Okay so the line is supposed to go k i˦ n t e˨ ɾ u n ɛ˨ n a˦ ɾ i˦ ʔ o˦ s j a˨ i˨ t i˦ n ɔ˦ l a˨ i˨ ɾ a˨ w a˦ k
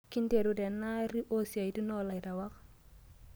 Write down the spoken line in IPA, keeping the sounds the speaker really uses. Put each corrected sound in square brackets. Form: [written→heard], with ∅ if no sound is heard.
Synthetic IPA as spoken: k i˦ n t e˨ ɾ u [n→d] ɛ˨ n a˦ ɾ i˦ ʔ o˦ s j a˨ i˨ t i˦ n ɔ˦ l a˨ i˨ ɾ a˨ w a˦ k